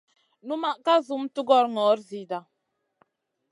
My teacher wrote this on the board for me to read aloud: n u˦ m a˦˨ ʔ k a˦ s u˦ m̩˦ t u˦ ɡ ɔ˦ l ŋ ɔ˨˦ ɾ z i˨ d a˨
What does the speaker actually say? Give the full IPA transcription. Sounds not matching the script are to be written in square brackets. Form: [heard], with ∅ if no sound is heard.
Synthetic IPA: n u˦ m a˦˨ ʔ k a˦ [z] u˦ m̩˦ t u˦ ɡ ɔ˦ [ɾ] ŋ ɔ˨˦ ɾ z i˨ d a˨